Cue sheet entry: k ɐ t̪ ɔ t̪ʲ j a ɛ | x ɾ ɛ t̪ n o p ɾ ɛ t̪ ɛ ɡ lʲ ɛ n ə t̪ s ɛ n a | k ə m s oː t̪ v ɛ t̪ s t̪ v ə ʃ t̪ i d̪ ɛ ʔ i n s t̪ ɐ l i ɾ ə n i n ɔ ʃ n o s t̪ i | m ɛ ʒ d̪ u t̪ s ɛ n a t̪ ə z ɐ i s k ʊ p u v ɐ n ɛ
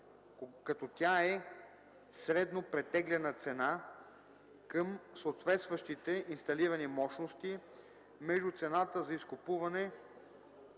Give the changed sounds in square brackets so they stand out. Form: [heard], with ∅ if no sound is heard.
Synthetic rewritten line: k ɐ t̪ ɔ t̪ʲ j a ɛ | [s] ɾ ɛ [d̪] n o p ɾ ɛ t̪ ɛ ɡ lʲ ɛ n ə t̪ s ɛ n a | k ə m s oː t̪ v ɛ t̪ s t̪ v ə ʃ t̪ i [t̪] ɛ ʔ i n s t̪ ɐ l i ɾ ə n i [m] ɔ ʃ n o s t̪ i | m ɛ ʒ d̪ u t̪ s ɛ n a t̪ ə z ɐ i s k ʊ p u v ɐ n ɛ